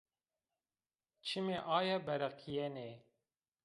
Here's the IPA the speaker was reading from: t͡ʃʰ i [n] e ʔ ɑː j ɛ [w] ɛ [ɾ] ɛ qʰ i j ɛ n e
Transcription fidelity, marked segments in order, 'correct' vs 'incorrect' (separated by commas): incorrect, incorrect, correct